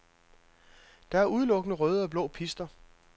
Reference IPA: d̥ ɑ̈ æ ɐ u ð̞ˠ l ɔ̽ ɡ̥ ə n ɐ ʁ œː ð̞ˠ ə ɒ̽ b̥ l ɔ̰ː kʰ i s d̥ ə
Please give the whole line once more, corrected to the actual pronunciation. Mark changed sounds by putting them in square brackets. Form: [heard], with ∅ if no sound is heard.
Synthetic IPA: d̥ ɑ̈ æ ɐ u ð̞ˠ l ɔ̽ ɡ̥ ə n [ə] ʁ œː ð̞ˠ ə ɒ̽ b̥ l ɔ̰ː [pʰ] i s d̥ [ɐ]